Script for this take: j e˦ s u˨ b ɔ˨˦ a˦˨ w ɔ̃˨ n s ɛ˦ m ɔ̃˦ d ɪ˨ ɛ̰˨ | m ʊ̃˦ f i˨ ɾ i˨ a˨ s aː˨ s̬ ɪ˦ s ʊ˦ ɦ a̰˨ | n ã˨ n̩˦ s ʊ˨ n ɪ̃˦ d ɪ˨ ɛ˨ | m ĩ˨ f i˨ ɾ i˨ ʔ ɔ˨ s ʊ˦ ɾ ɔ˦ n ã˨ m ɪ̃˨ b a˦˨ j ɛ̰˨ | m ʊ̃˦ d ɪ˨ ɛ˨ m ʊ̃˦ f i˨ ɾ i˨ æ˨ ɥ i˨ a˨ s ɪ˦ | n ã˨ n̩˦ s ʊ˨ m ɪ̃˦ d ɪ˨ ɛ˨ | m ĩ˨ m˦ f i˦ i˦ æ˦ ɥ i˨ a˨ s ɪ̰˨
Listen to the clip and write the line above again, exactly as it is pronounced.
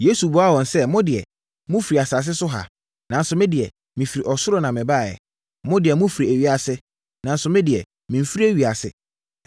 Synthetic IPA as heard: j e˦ s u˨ b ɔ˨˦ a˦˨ w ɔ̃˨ n s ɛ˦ m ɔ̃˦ d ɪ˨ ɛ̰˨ | m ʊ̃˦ f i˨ ɾ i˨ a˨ s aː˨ s̬ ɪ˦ s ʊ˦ ɦ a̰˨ | n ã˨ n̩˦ s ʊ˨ m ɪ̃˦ d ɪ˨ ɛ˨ | m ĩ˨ f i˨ ɾ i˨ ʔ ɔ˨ s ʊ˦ ɾ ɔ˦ n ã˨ m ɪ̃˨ b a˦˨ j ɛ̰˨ | m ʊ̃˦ d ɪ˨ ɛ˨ m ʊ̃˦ f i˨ ɾ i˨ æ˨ ɥ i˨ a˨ s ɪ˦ | n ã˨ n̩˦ s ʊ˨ m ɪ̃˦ d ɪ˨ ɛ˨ | m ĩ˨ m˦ f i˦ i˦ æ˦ ɥ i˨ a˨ s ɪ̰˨